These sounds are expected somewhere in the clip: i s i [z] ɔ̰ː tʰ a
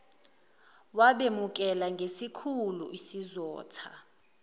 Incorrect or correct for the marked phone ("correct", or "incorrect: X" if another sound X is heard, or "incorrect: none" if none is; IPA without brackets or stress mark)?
correct